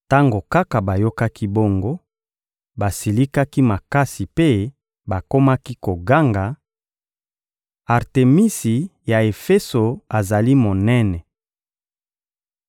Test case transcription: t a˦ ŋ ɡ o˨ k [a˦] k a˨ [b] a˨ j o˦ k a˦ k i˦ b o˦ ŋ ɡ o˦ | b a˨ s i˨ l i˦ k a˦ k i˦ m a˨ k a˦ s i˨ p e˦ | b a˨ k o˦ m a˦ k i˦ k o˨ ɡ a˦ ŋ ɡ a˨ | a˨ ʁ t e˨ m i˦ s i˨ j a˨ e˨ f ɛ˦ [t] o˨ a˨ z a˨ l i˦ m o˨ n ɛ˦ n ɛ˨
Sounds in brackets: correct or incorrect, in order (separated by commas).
correct, correct, incorrect